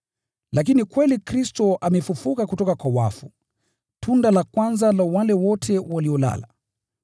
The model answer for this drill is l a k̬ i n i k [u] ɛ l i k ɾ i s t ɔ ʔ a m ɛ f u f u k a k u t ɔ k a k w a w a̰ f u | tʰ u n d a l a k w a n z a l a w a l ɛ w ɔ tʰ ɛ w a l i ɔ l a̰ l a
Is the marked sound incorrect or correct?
incorrect